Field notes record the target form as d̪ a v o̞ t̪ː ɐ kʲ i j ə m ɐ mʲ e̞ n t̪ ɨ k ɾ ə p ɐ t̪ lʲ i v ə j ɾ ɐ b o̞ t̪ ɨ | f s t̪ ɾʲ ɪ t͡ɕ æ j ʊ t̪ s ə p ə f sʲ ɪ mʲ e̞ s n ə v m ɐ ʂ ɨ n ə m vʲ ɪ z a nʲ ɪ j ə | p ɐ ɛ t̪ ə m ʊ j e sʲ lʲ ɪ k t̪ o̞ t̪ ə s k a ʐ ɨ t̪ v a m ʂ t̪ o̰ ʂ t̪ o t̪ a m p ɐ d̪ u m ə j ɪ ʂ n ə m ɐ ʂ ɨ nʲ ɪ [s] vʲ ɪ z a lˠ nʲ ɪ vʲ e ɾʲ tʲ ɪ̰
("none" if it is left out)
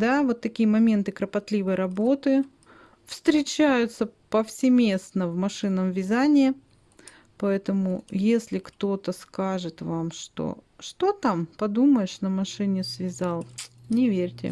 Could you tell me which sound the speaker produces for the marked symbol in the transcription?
s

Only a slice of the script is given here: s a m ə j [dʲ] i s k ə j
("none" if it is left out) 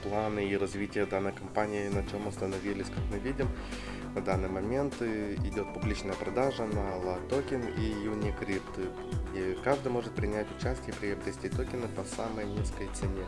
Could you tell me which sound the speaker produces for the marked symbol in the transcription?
nʲ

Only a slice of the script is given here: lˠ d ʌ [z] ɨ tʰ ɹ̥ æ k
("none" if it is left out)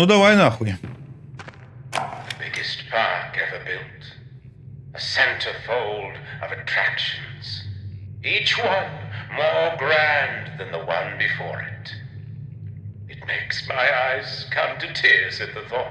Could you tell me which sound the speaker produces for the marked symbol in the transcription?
v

